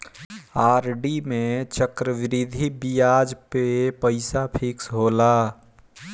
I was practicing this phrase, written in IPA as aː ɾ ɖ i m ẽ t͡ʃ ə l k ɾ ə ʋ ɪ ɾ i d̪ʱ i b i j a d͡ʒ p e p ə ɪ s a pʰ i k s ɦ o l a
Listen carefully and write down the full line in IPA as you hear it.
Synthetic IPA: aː ɾ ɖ i m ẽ t͡ʃ ə k ɾ ə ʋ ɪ ɾ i d̪ʱ i b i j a d͡ʒ p e p ə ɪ s a pʰ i k s ɦ o l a